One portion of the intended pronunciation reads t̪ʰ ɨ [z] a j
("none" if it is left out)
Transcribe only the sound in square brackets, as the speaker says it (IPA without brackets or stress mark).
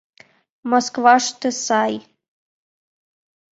s